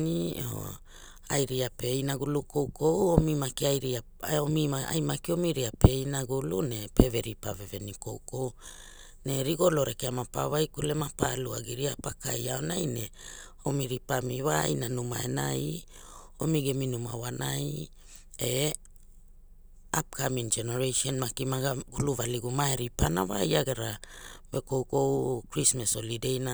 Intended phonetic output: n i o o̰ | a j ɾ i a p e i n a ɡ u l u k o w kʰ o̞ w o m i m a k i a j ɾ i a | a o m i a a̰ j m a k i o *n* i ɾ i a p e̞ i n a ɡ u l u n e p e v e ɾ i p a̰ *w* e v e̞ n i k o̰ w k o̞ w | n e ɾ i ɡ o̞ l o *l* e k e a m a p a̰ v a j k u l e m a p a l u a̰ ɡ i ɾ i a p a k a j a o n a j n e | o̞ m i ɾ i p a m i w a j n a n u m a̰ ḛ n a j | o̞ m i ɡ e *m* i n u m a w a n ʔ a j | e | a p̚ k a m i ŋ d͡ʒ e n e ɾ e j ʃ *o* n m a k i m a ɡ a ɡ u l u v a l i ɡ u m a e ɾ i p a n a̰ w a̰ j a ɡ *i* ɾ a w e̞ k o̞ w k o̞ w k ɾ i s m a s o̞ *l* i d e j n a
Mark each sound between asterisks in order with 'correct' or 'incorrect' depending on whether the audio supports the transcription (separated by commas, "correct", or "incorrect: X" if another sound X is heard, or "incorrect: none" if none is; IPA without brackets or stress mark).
incorrect: m, incorrect: v, incorrect: ɾ, correct, correct, incorrect: e, correct